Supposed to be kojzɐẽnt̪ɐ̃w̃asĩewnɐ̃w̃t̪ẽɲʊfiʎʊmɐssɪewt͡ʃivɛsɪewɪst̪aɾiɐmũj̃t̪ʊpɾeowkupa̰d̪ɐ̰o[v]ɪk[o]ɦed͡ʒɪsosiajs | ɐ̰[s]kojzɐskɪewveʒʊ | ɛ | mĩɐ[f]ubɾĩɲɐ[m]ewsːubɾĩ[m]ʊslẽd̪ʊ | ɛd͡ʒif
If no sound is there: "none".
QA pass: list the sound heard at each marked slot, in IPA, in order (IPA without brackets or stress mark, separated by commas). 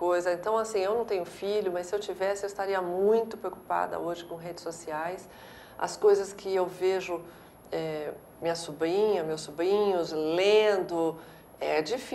ʒ, õ, s, s, m, ɲ